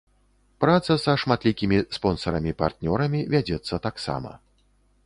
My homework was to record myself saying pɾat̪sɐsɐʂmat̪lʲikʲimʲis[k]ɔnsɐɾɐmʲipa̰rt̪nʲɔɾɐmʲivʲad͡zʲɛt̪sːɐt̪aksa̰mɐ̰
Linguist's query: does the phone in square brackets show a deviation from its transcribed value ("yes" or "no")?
yes